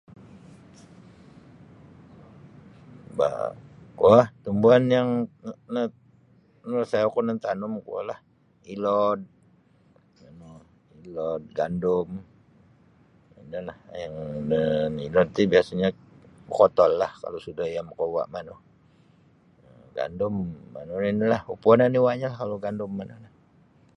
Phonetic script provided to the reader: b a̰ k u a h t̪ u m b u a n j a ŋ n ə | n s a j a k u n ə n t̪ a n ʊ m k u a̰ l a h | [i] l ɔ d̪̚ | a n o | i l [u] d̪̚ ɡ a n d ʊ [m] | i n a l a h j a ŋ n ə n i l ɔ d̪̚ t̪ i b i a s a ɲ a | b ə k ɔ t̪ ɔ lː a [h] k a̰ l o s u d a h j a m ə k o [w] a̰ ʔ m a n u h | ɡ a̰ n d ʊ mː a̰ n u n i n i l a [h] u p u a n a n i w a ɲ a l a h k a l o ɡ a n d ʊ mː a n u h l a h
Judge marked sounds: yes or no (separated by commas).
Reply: yes, no, yes, yes, yes, yes